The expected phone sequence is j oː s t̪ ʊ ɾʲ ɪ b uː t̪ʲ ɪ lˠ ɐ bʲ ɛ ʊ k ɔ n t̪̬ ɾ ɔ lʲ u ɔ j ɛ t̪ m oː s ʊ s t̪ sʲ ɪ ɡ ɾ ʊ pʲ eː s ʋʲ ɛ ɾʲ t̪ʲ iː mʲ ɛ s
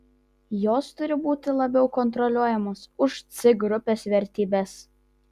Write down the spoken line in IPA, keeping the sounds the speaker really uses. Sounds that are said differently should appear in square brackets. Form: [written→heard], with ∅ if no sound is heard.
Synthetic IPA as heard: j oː s t̪ ʊ ɾʲ ɪ b uː t̪ʲ ɪ lˠ ɐ bʲ ɛ ʊ k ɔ n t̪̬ ɾ ɔ lʲ u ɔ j ɛ [t̪→∅] m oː s ʊ [s→ʃ] t̪ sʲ ɪ ɡ ɾ ʊ pʲ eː s ʋʲ ɛ ɾʲ t̪ʲ iː [mʲ→bʲ] ɛ s